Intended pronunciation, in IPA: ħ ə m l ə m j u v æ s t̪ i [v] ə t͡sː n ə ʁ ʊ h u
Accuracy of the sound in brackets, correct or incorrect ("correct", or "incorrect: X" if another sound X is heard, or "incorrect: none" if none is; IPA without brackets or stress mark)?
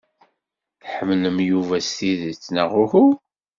incorrect: ð